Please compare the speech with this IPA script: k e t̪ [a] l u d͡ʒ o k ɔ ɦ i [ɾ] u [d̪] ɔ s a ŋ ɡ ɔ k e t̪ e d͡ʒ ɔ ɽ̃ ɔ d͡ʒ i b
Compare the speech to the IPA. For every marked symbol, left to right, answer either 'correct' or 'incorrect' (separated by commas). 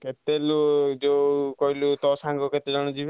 incorrect, incorrect, incorrect